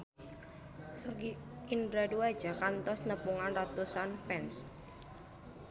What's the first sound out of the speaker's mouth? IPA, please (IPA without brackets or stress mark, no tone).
s